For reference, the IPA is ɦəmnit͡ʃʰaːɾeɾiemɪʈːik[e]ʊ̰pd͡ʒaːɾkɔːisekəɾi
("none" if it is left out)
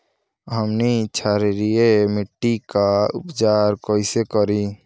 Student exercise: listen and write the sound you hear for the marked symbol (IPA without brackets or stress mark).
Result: a